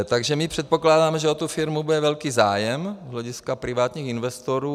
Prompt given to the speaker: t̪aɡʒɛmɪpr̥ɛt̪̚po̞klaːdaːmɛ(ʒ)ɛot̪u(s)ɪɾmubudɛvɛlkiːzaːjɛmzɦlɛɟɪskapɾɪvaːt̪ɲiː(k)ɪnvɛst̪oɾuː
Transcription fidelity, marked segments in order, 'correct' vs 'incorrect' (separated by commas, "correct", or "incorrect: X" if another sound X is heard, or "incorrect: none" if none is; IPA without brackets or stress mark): correct, incorrect: f, incorrect: x